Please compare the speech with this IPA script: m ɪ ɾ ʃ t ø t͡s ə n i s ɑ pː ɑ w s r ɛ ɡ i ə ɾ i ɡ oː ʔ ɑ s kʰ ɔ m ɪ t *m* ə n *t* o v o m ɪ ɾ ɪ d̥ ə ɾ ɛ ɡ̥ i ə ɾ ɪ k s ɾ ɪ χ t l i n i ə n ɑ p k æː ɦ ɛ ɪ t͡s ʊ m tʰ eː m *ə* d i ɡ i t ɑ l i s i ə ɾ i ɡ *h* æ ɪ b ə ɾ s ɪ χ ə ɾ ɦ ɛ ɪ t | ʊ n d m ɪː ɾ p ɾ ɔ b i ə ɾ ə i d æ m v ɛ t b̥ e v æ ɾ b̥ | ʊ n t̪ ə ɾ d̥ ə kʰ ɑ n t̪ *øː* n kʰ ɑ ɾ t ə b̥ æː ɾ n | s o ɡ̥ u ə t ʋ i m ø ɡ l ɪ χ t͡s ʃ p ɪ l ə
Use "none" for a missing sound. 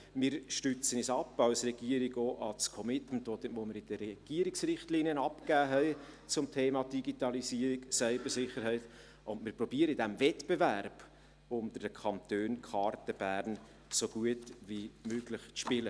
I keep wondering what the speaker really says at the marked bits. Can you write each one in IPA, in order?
m, t, ɑ, s, øː

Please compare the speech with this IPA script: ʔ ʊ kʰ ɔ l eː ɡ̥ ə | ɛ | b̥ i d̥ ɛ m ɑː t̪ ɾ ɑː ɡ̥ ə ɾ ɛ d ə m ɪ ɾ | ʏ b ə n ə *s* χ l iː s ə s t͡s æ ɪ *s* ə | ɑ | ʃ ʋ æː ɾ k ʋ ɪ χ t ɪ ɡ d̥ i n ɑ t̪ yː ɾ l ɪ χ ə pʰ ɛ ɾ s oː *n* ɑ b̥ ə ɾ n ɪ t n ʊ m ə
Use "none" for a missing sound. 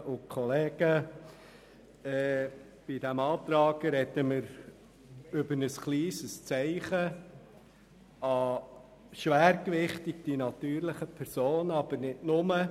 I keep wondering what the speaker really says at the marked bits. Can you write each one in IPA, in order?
s, χ, n

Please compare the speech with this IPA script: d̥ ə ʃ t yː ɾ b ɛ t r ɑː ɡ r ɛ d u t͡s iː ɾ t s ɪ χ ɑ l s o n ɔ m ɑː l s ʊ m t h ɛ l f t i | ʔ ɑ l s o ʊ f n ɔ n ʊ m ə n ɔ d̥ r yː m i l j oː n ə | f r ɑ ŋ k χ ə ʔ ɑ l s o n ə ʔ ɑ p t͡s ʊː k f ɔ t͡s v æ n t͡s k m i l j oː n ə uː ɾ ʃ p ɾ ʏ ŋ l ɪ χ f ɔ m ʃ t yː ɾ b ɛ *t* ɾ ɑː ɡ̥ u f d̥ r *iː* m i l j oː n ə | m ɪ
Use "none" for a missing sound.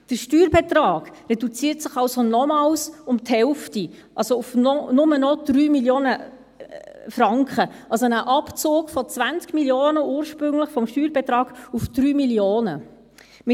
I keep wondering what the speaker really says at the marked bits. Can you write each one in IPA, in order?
t, yː

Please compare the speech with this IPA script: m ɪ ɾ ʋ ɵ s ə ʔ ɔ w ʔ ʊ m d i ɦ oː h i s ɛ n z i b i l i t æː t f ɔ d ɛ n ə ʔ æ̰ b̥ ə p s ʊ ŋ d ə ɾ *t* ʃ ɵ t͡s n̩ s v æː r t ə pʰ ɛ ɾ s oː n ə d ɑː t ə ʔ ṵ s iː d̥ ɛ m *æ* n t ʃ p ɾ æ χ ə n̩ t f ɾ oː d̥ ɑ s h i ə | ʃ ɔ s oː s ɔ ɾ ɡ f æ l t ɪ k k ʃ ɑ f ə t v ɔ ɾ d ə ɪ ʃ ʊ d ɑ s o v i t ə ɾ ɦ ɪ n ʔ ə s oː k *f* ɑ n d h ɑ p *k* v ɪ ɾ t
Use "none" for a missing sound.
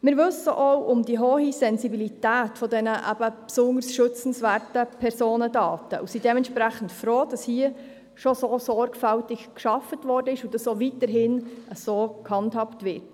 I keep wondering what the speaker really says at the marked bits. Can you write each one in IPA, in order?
s, ɛ, h, t

